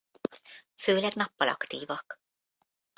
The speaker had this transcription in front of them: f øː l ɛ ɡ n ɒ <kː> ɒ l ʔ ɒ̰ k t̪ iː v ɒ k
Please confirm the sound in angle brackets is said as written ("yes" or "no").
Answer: no